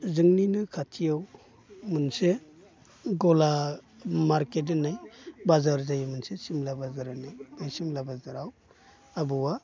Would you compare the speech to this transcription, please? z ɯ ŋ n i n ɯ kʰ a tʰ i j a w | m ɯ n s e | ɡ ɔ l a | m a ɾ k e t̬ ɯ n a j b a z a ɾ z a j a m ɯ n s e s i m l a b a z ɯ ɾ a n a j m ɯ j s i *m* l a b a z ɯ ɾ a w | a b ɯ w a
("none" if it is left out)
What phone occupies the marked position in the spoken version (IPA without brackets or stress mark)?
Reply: m